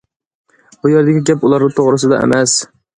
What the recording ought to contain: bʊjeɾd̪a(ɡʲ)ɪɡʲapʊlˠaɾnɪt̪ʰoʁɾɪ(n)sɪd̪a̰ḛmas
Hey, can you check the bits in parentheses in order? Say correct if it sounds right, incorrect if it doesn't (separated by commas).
correct, incorrect